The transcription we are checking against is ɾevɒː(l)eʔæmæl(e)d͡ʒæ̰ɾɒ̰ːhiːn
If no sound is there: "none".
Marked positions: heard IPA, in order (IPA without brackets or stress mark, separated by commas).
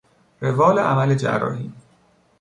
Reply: l, e